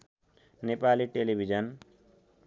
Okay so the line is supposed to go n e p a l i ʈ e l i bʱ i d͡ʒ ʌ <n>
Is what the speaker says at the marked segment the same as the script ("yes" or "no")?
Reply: yes